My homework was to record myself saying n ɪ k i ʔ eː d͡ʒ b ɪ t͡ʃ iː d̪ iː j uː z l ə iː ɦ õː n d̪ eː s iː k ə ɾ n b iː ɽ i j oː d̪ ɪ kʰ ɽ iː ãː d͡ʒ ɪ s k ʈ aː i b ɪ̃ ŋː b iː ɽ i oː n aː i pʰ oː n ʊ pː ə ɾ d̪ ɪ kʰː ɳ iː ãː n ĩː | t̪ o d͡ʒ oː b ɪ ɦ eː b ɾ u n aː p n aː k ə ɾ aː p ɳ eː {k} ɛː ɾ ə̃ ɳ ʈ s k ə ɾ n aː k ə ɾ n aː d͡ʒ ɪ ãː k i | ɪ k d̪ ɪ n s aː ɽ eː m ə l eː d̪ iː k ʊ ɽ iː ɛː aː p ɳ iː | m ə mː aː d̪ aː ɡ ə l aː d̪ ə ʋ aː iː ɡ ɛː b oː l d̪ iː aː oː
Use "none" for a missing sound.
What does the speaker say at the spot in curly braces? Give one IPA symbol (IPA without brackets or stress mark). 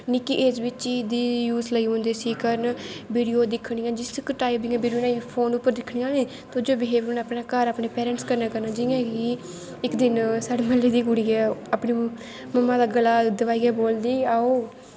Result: p